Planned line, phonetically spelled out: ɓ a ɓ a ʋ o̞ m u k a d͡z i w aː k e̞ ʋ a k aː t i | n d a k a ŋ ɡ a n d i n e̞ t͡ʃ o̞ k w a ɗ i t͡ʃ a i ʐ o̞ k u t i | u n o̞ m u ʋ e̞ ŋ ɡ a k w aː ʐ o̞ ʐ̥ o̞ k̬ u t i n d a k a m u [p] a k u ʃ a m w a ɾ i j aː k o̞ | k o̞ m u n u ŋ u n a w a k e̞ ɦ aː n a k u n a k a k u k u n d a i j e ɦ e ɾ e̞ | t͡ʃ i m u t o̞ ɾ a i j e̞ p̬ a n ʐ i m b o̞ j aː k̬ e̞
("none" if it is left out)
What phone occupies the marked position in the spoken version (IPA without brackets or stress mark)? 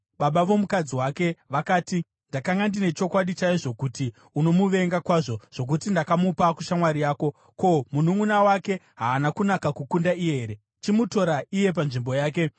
p